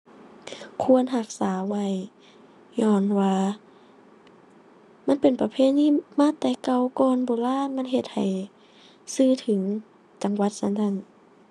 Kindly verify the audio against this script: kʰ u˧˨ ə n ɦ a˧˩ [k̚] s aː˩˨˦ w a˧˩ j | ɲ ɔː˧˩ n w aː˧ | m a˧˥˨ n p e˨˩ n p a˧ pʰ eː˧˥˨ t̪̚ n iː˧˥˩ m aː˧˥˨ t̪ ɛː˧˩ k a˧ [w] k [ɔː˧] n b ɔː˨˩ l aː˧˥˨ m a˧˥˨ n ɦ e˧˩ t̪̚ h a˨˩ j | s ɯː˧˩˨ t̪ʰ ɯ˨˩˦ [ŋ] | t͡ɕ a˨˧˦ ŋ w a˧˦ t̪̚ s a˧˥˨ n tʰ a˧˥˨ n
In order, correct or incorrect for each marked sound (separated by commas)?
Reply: correct, correct, correct, correct